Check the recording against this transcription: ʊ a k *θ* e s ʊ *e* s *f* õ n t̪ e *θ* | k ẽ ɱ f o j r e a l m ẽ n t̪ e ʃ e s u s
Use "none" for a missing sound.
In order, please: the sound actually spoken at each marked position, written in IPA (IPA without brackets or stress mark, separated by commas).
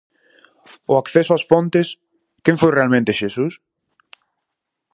θ, a, f, s